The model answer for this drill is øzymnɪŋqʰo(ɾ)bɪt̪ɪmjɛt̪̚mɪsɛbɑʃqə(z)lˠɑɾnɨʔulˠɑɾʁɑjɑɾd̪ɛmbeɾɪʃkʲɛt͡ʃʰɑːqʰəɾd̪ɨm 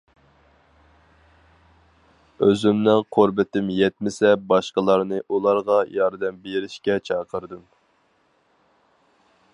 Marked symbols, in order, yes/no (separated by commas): yes, no